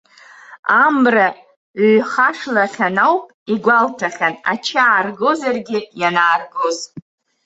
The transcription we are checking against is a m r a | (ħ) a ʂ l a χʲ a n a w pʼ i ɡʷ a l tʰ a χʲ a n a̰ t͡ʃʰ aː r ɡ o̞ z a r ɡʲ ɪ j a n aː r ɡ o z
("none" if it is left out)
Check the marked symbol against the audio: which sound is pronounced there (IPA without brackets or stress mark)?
χ